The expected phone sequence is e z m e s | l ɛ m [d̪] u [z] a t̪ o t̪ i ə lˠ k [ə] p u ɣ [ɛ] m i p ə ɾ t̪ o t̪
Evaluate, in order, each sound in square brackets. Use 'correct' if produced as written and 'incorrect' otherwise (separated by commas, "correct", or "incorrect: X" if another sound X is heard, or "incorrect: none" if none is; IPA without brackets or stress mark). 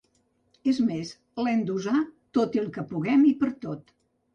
correct, correct, correct, correct